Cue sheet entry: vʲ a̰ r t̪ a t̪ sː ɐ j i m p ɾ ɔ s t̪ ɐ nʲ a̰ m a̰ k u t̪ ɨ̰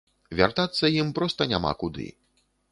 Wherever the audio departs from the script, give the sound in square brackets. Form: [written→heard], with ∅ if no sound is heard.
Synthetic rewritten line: vʲ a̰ r t̪ a t̪ sː ɐ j i m p ɾ ɔ s t̪ ɐ nʲ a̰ m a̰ k u [t̪→d̪] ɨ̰